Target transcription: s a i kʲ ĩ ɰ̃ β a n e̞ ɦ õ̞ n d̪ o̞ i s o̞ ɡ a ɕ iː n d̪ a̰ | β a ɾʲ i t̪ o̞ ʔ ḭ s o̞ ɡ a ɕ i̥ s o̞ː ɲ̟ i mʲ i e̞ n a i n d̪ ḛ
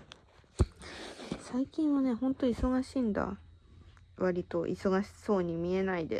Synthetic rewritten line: s a i kʲ ĩ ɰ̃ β a n e̞ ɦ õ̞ n t̪ o̞ i s o̞ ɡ a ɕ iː n d̪ a̰ | β a ɾʲ i t̪ o̞ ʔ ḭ s o̞ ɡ a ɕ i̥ s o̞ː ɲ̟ i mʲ i e̞ n a i d̪ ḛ

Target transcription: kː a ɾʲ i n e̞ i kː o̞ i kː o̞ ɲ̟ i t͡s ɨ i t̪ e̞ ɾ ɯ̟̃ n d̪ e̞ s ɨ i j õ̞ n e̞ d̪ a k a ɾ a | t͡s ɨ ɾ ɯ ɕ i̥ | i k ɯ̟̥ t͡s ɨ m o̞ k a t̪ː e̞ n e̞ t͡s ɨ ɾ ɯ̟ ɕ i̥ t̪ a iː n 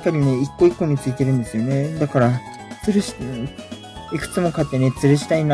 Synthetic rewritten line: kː a ɾʲ i n e̞ i kː o̞ i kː o̞ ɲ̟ i t͡s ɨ i t̪ e̞ ɾ ɯ̟̃ n d̪ e̞ s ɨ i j o̞ n e̞ d̪ a k a ɾ a | t͡s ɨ ɾ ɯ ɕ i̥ | i k ɯ̟̥ t͡s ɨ m o̞ k a t̪ː e̞ n e̞ t͡s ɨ ɾ ɯ̟ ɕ i̥ t̪ a i n

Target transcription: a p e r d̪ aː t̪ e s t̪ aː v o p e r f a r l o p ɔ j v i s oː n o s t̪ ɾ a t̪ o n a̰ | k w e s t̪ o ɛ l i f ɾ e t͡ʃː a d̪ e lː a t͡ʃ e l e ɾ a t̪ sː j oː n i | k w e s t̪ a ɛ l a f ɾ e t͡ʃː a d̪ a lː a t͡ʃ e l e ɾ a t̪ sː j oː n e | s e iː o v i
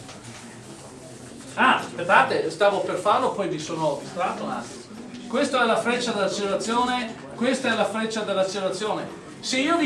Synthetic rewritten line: a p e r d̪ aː t̪ e s t̪ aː v o p e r f a r l o p ɔ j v i s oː n o s t̪ ɾ a t̪ o n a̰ | k w e s t̪ o ɛ l a f ɾ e t͡ʃː a d̪ e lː a t͡ʃ e l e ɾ a t̪ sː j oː n e | k w e s t̪ a ɛ l a f ɾ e t͡ʃː a d̪ e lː a t͡ʃ e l e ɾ a t̪ sː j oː n e | s e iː o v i

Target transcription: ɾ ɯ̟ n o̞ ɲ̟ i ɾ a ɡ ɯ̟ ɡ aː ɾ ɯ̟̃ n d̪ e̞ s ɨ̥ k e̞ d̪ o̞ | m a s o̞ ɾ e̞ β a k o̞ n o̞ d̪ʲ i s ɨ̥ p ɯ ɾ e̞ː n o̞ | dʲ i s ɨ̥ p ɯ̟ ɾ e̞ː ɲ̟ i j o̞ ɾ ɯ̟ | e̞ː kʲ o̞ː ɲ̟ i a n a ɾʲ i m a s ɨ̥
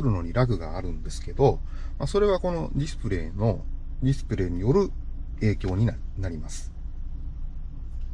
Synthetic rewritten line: ɾ ɯ̟ n o̞ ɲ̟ i ɾ a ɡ ɯ̟ ɡ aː ɾ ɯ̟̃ n d̪ e̞ s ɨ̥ k e̞ d̪ o̞ | m a s o̞ ɾ e̞ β a k o̞ n o̞ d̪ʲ i s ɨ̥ p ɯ ɾ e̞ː n o̞ | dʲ i s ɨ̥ p ɯ̟ ɾ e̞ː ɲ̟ i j o̞ ɾ ɯ̟ | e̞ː kʲ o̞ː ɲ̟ i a n a ɾʲ i m a s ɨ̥

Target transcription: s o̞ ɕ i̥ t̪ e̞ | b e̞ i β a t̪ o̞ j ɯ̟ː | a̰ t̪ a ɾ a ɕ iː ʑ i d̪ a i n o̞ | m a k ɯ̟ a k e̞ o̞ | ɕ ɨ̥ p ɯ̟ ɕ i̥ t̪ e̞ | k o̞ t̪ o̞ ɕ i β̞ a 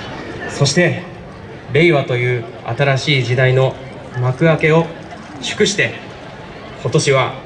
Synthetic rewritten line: s o̞ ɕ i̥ t̪ e̞ | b e̞ i β a t̪ o̞ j ɯ̟ː | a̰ t̪ a ɾ a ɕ iː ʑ i d̪ a i n o̞ | m a k ɯ̟ a k e̞ o̞ | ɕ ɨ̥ k ɯ̟ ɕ i̥ t̪ e̞ | k o̞ t̪ o̞ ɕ i β̞ a

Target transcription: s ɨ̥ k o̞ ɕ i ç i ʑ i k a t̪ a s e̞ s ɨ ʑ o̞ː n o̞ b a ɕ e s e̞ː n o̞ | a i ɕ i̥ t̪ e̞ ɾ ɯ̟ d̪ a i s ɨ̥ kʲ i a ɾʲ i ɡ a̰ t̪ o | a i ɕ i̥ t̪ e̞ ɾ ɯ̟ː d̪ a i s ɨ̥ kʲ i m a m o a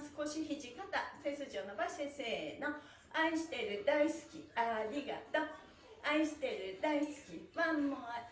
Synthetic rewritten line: s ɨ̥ k o̞ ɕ i ç i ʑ i k a t̪ a s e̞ s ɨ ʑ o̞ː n o̞ b a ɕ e s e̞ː n o̞ | a i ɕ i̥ t̪ e̞ ɾ ɯ̟ d̪ a i s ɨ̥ kʲ i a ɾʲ i ɡ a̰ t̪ o | a i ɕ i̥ t̪ e̞ ɾ ɯ̟ d̪ a i s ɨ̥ kʲ i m a m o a

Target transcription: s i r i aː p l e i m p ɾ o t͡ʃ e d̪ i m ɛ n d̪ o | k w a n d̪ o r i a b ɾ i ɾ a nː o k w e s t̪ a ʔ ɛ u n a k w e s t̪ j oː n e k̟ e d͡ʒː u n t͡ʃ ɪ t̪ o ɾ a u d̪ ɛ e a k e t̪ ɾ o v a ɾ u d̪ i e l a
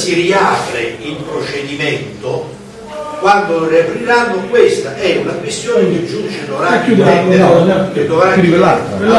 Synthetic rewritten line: s i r i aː p ɾ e i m p ɾ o t͡ʃ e d̪ i m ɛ n t̪ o | k w a n d̪ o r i a p ɾ i ɾ a nː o k w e s t̪ a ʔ ɛ u n a k w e s t̪ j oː n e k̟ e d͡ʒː u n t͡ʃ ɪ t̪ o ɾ a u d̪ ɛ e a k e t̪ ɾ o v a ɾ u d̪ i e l a

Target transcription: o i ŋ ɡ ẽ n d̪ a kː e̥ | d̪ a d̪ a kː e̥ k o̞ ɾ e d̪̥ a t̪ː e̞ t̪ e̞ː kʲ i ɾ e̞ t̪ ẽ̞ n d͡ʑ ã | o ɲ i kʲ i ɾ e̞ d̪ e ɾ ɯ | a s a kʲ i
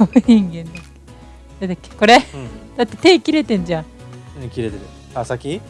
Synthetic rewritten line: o i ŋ ɡ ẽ n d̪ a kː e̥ | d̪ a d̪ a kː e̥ k o̞ ɾ e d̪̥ a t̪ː e̞ t̪ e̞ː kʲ i ɾ e̞ t̪ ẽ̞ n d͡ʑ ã | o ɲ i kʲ i ɾ e̞ t̪ e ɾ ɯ | a s a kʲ i

